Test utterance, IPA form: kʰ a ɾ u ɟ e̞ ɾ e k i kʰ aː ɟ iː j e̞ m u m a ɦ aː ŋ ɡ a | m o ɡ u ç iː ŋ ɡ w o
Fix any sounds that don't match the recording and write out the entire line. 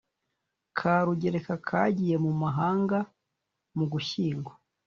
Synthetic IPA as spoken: kʰ a ɾ u ɟ e̞ ɾ e k a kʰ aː ɟ i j e̞ m u m a ɦ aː ŋ ɡ a | m u ɡ u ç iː ŋ ɡ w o